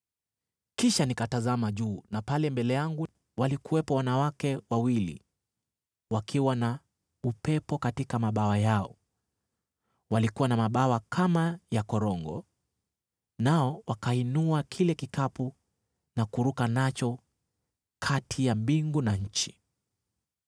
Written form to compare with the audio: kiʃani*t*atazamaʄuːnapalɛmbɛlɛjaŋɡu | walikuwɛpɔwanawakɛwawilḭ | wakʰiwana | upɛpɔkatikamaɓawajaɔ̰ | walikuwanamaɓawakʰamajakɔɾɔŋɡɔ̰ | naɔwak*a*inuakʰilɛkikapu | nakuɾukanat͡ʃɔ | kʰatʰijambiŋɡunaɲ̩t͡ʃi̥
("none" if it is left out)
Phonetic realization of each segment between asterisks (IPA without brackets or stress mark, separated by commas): k, a